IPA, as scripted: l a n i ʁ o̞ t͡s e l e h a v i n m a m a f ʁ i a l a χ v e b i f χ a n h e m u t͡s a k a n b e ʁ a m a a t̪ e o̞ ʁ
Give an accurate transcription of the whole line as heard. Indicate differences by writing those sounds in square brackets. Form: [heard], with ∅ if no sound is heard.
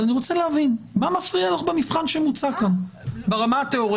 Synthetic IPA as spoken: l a n i ʁ o̞ t͡s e l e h a v i n m a m a f ʁ i a l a χ [b] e [m] i f χ a n [ʃ] e m u t͡s a k a n b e ʁ a m a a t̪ e o̞ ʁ